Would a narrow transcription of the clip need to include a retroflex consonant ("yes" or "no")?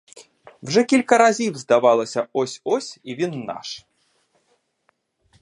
yes